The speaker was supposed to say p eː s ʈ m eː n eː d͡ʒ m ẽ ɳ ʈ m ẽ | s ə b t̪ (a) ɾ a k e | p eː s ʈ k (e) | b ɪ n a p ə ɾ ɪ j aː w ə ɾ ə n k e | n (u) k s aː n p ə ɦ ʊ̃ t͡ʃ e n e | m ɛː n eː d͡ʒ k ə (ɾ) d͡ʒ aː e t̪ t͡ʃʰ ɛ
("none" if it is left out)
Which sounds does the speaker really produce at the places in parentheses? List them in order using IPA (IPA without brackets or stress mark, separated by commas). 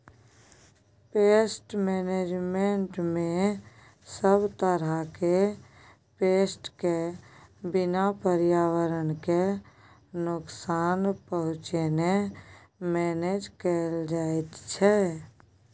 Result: ə, e, ʊ, l